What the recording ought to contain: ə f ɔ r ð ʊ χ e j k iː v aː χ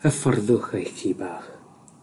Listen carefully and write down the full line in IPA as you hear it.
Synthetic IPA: ə f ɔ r ð ʊ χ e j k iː b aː χ